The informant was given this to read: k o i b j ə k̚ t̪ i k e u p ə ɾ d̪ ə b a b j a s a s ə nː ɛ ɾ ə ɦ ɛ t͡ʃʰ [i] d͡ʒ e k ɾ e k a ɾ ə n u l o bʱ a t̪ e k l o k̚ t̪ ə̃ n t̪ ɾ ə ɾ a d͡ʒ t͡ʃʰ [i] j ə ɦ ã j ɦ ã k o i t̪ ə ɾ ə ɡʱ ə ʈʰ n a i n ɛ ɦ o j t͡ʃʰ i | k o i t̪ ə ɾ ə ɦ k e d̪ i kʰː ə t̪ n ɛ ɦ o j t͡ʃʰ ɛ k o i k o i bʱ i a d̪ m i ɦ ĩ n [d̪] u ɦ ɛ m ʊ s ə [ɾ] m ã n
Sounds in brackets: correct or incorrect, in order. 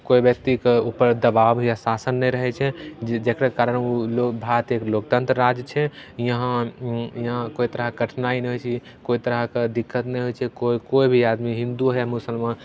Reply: incorrect, incorrect, correct, incorrect

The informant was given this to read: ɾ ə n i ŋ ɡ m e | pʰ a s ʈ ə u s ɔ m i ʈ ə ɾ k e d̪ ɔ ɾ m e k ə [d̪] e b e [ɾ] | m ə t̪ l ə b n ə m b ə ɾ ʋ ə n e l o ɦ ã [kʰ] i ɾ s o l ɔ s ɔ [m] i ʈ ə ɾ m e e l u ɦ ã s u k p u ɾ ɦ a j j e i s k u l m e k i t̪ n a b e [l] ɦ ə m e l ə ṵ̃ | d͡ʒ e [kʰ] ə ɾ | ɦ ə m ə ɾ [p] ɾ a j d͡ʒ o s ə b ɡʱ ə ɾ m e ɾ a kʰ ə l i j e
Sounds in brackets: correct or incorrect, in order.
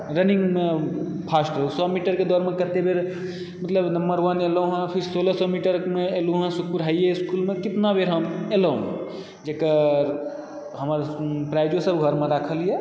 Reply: incorrect, correct, incorrect, correct, incorrect, incorrect, correct

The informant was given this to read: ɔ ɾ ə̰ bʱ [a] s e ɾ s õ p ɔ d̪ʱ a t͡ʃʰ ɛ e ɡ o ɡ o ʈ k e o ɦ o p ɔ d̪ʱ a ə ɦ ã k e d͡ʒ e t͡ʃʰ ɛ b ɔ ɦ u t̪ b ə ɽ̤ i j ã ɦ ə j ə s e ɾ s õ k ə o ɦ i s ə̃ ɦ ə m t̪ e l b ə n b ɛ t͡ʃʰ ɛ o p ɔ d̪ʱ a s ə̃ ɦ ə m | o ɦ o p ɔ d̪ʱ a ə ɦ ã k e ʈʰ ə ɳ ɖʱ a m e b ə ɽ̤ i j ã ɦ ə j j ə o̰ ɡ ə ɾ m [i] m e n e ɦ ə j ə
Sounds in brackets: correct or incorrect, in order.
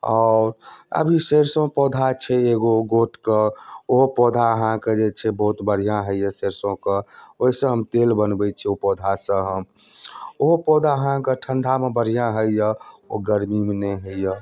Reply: incorrect, correct

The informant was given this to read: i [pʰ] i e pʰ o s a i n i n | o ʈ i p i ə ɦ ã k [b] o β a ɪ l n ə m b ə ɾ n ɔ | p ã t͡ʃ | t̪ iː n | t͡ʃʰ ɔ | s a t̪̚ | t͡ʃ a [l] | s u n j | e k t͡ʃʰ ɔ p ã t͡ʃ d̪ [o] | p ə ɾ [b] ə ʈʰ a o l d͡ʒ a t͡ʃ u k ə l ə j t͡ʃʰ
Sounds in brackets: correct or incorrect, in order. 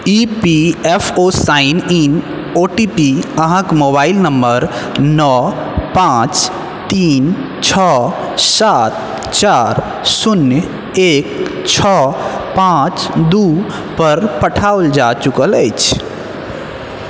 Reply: incorrect, incorrect, incorrect, incorrect, incorrect

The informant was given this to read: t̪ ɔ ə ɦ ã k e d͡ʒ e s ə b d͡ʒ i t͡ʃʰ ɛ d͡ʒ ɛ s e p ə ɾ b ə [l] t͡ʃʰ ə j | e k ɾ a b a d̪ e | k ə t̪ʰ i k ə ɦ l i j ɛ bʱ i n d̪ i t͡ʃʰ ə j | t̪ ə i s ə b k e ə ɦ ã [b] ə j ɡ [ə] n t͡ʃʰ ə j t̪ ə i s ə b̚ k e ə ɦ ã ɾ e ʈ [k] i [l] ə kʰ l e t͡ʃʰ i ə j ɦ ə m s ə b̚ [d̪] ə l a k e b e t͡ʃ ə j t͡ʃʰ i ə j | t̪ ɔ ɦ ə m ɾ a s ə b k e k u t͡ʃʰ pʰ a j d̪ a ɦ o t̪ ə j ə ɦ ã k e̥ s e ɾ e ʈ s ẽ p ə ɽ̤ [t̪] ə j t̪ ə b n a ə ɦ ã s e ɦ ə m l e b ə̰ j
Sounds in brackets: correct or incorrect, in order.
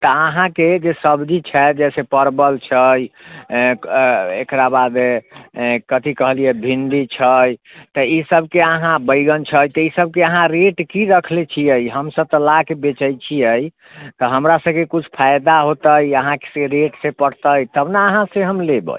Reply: correct, correct, correct, correct, incorrect, incorrect, correct

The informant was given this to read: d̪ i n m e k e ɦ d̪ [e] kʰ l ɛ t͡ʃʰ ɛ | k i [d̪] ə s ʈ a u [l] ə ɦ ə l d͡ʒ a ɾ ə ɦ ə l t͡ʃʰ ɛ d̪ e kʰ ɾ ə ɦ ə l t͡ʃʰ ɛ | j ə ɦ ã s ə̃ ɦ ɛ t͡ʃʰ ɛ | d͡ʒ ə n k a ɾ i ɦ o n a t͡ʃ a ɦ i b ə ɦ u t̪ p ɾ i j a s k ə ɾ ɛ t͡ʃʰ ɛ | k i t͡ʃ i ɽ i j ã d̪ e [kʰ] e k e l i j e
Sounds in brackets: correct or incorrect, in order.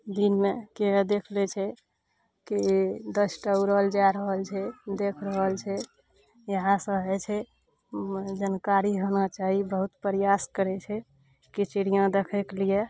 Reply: correct, correct, incorrect, correct

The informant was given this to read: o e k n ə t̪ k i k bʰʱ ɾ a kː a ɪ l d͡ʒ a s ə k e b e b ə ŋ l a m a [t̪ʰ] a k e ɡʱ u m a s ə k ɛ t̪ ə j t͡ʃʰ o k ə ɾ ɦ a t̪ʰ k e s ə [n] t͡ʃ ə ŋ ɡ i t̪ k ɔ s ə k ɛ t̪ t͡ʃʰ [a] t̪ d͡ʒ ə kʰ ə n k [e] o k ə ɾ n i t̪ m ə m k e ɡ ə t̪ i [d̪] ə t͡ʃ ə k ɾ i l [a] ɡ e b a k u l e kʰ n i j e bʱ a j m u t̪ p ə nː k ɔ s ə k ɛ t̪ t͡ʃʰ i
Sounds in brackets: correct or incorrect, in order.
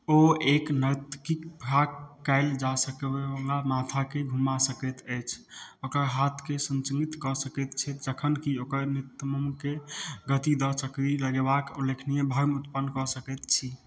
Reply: correct, correct, incorrect, incorrect, correct, incorrect

